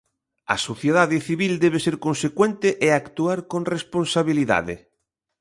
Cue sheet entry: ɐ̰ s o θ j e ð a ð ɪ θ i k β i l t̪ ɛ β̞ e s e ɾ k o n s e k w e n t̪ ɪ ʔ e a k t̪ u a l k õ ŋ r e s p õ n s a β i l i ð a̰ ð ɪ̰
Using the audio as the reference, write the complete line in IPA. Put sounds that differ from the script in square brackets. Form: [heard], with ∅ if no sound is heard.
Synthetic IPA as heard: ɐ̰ s o θ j e ð a ð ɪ θ i [∅] β i l [d̪] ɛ β̞ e s e ɾ k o n s e k w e n t̪ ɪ ʔ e a k t̪ u a [ɾ] k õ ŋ r e s p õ n s a β i l i ð a̰ ð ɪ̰